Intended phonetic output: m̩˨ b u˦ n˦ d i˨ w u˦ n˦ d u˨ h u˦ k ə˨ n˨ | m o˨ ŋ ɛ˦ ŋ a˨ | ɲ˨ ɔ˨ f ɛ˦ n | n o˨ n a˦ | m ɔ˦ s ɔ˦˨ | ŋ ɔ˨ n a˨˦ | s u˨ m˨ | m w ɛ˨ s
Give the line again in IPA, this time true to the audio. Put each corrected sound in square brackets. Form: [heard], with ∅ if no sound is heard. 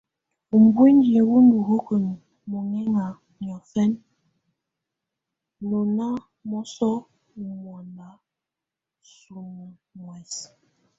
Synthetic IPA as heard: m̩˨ b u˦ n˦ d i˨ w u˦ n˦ d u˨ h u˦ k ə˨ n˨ | m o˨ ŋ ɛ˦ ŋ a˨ | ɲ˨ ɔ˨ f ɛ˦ n | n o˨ n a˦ | m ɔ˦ s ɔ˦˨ | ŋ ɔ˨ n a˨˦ | s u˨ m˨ | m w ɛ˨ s